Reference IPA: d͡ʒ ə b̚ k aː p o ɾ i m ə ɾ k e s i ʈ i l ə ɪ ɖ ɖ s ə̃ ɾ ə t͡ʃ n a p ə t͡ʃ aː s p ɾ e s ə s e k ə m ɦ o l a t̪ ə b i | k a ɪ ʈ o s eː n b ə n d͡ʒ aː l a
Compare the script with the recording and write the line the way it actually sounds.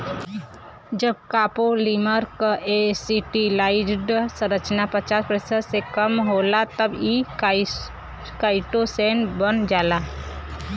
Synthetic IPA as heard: d͡ʒ ə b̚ k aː p o l i m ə ɾ k e s i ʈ i l a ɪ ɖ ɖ s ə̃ ɾ ə t͡ʃ n a p ə t͡ʃ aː s p ɾ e s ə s e k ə m ɦ o l a t̪ ə b i | k a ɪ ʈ o s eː n b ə n d͡ʒ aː l a